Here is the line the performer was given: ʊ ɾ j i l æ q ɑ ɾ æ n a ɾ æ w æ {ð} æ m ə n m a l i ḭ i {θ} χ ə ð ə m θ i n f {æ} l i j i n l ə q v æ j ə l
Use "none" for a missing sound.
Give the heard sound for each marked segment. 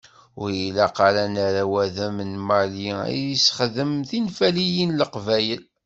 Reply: ð, s, æ

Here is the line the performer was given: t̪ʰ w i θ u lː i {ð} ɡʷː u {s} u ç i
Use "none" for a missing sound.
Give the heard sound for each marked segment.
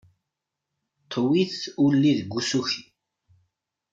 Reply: ð, s

